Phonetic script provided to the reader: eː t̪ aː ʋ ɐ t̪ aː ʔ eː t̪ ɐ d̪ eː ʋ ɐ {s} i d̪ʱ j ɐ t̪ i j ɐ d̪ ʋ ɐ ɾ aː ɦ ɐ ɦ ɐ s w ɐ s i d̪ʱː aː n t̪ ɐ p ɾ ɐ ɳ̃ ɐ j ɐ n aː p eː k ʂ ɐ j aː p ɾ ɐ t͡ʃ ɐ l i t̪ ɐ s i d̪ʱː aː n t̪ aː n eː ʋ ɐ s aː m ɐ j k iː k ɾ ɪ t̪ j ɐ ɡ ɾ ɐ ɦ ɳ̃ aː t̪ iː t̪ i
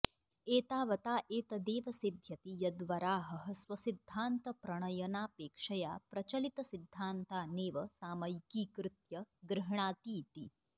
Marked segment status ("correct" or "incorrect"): correct